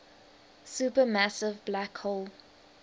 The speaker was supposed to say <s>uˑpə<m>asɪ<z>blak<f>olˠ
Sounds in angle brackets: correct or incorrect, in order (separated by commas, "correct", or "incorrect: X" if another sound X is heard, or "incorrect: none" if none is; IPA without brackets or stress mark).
correct, correct, incorrect: v, incorrect: h